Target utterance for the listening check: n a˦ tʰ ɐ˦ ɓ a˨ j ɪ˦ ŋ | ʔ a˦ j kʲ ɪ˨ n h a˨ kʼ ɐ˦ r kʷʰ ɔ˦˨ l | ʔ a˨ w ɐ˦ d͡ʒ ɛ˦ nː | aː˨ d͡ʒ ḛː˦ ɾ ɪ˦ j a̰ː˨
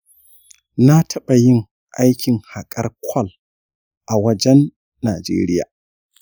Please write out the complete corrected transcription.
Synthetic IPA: n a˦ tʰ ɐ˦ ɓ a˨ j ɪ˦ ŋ | ʔ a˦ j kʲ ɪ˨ ŋ h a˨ kʼ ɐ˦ r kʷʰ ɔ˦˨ l | ʔ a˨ w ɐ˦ d͡ʒ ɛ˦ nː | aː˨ d͡ʒ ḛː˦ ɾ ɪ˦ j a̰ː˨

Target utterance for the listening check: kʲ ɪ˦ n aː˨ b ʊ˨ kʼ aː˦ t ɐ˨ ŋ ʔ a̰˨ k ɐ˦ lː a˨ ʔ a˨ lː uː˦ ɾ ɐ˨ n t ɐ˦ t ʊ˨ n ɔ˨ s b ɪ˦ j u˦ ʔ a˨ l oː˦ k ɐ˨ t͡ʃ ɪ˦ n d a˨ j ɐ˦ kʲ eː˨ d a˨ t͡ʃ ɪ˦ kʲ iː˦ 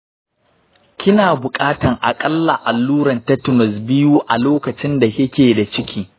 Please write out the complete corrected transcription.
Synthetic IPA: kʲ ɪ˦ n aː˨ b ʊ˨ kʼ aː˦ t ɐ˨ ŋ ʔ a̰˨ kʼ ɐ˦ lː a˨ ʔ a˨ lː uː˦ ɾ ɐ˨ n t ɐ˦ t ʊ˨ n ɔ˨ s b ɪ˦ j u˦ ʔ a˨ l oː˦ k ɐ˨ t͡ʃ ɪ˦ n d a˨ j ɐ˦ kʲ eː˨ d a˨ t͡ʃ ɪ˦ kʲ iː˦

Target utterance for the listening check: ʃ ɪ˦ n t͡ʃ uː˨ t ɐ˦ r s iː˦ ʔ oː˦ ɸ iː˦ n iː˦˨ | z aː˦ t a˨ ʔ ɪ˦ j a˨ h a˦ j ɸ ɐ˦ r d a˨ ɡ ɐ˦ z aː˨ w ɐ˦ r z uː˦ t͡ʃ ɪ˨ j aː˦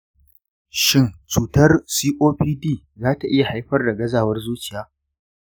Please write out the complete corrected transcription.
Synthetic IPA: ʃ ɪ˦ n t͡ʃ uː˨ t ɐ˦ r s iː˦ ʔ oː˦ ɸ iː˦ d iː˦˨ | z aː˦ t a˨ ʔ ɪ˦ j a˨ h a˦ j ɸ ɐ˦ r d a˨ ɡ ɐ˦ z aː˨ w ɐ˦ r z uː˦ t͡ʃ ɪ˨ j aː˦

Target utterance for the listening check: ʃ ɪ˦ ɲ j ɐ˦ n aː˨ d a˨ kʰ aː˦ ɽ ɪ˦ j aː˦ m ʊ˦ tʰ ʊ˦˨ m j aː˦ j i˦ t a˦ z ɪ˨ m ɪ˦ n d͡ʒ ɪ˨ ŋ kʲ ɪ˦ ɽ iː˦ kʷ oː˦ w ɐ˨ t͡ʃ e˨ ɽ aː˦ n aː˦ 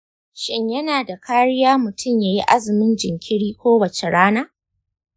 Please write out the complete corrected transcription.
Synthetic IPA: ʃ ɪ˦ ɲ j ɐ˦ n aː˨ d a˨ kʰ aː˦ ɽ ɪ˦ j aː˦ m ʊ˨ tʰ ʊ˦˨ m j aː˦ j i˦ ʔ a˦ z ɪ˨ m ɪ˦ n d͡ʒ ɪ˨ ŋ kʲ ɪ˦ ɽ iː˦ kʷ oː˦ w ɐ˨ t͡ʃ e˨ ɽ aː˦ n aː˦

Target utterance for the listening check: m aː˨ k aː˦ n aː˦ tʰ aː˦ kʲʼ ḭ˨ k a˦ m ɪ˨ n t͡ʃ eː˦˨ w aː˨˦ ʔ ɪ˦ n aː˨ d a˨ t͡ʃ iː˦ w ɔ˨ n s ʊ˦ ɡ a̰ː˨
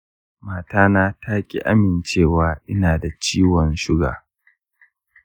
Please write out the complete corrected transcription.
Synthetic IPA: m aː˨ t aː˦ n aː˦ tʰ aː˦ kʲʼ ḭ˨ ʔ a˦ m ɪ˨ n t͡ʃ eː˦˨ w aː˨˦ ʔ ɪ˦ n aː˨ d a˨ t͡ʃ iː˦ w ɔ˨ n ʃ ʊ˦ ɡ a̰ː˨

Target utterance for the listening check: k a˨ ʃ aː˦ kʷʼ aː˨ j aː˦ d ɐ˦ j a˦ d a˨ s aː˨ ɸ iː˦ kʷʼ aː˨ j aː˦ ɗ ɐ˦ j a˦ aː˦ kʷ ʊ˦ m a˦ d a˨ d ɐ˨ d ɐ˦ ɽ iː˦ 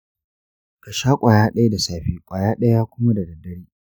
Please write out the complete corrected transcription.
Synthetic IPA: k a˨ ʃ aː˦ kʷʼ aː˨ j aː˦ ɗ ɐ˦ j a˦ d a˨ s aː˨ ɸ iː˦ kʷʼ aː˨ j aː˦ ɗ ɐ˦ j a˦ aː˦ kʷ ʊ˦ m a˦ d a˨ d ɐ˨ d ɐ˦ ɽ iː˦

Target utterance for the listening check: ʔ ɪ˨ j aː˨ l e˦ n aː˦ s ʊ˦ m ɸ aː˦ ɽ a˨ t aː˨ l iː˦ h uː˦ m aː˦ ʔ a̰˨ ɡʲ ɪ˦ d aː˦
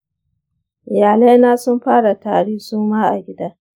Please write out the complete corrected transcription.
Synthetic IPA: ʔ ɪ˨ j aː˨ l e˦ n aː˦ s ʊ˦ m ɸ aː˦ ɽ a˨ t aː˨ ɽ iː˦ s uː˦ m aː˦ ʔ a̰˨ ɡʲ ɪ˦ d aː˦

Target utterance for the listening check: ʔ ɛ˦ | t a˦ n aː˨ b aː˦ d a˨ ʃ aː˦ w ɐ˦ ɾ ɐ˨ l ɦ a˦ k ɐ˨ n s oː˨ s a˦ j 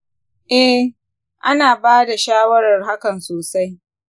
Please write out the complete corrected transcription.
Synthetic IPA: ʔ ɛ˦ | ʔ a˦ n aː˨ b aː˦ d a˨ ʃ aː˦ w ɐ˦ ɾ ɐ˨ r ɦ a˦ k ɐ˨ n s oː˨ s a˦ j

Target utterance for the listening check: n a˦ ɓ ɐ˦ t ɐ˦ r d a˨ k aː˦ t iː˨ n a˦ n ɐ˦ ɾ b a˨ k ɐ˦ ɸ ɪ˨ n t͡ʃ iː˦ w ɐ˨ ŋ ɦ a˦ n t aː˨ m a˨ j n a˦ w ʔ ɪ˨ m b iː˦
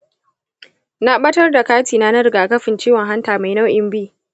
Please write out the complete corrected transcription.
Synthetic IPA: n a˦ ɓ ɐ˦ t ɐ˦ r d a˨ k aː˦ t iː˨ n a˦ n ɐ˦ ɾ ɡ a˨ k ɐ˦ ɸ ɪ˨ n t͡ʃ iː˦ w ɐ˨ ŋ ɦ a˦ n t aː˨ m a˨ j n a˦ w ʔ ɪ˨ m b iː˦

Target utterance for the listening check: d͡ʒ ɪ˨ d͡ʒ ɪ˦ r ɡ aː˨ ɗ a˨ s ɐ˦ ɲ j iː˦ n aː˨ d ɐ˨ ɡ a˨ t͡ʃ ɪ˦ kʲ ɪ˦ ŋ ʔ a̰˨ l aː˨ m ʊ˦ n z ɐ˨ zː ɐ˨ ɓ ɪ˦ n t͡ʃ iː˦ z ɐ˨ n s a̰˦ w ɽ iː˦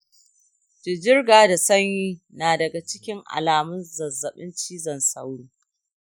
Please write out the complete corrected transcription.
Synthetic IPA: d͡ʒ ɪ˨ d͡ʒ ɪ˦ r ɡ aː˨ d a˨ s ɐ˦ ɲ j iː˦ n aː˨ d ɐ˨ ɡ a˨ t͡ʃ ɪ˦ kʲ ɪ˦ ŋ ʔ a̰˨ l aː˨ m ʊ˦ n z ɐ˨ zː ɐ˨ ɓ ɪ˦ n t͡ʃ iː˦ z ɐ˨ n s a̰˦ w ɽ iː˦

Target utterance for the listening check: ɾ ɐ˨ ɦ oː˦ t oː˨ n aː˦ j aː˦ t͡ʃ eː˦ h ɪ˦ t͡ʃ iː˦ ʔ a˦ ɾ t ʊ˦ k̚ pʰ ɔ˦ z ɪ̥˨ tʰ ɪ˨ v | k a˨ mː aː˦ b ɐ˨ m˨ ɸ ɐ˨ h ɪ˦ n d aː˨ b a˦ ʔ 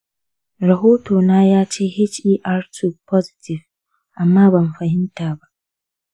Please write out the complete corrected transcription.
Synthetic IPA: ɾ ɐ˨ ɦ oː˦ t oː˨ n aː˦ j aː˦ t͡ʃ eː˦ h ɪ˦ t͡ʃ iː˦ ʔ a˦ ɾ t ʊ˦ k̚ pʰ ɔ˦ z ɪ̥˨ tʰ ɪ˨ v | ʔ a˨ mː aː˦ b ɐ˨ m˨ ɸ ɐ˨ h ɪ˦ n t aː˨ b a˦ ʔ

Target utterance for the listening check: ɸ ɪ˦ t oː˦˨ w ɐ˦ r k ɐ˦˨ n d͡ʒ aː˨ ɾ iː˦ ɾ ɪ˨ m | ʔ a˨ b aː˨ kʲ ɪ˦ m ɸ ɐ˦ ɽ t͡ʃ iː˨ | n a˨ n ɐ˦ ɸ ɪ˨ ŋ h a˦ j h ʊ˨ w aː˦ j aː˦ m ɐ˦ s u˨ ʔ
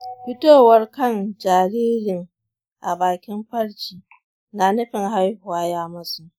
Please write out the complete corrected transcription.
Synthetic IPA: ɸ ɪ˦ t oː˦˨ w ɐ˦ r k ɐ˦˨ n d͡ʒ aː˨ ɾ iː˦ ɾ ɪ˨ ŋ | ʔ a˨ b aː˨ kʲ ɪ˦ m ɸ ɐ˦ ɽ t͡ʃ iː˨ | n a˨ n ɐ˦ ɸ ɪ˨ ŋ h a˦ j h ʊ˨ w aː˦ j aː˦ m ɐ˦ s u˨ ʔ

